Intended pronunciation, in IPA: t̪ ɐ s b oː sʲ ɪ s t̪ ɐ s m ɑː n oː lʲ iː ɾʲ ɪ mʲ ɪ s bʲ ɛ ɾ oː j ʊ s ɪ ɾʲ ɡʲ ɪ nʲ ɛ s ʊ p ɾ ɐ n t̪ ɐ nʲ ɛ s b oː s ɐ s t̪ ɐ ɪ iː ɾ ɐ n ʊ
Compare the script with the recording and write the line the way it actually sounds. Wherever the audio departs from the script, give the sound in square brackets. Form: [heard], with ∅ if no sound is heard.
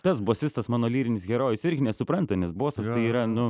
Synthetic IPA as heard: t̪ ɐ s b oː sʲ ɪ s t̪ ɐ s m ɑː n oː lʲ iː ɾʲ ɪ [nʲ] ɪ s [ɡʲ] ɛ ɾ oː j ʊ s ɪ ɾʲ ɡʲ ɪ nʲ ɛ s ʊ p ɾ ɐ n t̪ ɐ nʲ ɛ s b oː s ɐ s t̪ ɐ ɪ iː ɾ ɐ n ʊ